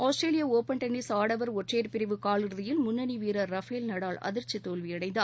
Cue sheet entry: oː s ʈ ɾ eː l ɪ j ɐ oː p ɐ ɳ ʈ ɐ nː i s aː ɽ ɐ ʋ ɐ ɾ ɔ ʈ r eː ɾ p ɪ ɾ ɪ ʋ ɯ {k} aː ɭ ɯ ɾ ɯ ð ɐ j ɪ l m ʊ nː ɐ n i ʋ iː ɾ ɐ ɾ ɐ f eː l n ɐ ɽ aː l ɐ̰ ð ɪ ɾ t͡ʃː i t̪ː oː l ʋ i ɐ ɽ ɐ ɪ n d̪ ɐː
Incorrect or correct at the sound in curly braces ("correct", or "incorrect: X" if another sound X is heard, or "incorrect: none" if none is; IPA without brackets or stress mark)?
correct